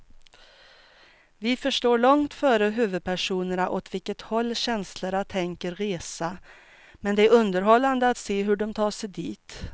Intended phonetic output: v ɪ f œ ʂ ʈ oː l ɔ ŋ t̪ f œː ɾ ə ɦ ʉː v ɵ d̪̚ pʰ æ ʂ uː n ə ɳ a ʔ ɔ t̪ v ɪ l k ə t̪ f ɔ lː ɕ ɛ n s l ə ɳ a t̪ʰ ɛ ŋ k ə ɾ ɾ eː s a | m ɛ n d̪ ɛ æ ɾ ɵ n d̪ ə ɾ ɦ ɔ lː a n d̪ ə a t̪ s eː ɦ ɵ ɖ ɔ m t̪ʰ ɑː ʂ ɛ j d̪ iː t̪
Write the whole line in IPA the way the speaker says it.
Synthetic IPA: v ɪ f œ ʂ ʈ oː ɭ ɔ ŋ t̪ f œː ɾ ə ɦ ʉː v ɵ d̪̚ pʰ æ ʂ uː n ə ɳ a ʔ ɔ t̪ v ɪ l k ə t̪ h ɔ lː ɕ ɛ n s l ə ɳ a t̪ʰ ɛ ŋ k ə ɾ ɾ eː s a | m ɛ n d̪ ɛ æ ɾ ɵ n d̪ ə ɾ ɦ ɔ lː a n d̪ ə a t̪ s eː ɦ ɵ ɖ ɔ m t̪ʰ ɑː ʂ ɛ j d̪ iː t̪